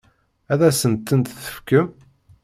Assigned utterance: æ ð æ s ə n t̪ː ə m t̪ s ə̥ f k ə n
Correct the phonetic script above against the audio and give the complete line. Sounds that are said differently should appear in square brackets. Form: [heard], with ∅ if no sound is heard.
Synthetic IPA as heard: æ ð æ s ə n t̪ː ə [n] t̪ [θ] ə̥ f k ə [m]